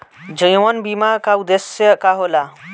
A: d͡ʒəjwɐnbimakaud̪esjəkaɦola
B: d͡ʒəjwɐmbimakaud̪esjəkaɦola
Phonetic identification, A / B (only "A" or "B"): A